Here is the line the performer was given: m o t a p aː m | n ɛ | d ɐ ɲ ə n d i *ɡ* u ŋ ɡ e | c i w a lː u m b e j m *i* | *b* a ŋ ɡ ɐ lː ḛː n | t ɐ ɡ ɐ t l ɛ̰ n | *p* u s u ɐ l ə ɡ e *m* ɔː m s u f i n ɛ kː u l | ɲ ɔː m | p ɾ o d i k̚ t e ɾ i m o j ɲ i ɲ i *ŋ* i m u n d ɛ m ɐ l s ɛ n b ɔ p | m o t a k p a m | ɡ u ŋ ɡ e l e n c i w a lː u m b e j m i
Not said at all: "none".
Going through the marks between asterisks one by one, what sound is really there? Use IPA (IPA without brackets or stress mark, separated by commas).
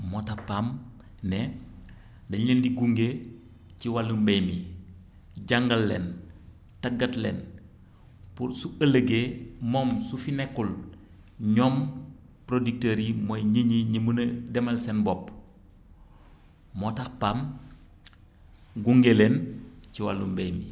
ɡ, i, ɟ, p, m, ɲ